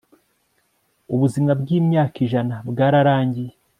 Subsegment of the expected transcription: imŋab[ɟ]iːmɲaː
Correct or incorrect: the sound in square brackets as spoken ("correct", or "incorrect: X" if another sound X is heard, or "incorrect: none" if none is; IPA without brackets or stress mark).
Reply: incorrect: ɡ